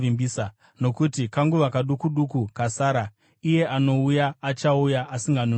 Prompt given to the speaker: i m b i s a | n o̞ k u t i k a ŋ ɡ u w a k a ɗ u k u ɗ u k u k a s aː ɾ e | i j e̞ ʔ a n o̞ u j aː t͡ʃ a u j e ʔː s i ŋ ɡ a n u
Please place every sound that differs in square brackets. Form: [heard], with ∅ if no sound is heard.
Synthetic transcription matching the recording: i m b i s a | n o̞ k u t i k a ŋ ɡ u [ʋ] a k a ɗ u k u ɗ u k u k a s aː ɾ [a] | i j e̞ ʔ a n o̞ u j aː t͡ʃ a u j [a] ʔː s i ŋ ɡ a n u